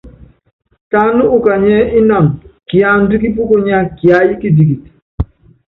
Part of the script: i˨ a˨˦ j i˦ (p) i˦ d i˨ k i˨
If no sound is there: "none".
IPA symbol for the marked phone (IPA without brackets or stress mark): k